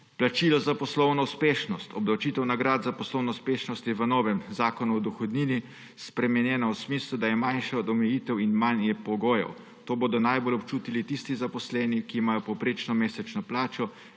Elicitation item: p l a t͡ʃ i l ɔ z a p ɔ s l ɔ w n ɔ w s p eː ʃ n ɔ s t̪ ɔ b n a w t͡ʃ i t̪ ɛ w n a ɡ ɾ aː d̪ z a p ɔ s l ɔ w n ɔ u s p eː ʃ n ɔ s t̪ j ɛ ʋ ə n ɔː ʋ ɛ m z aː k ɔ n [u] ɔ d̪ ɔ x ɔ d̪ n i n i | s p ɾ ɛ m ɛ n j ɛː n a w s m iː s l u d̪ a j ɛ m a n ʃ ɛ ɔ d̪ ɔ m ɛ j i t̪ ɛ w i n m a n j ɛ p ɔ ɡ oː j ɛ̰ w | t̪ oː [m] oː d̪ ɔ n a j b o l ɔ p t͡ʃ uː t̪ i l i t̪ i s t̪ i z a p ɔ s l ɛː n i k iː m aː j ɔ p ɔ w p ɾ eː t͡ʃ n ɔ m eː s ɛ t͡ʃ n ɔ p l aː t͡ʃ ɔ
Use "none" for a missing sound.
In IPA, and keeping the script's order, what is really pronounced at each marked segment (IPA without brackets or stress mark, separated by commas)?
u, b